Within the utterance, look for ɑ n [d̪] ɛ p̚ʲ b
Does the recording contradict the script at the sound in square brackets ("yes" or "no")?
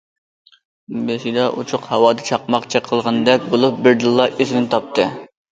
no